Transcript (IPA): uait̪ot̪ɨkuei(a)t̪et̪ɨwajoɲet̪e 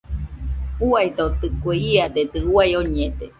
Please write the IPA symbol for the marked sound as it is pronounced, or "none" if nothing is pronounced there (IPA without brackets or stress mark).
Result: a